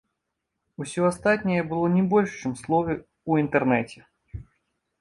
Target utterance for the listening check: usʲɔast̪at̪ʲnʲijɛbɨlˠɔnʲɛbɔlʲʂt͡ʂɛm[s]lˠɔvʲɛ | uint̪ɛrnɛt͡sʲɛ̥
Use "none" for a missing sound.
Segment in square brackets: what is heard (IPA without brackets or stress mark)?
s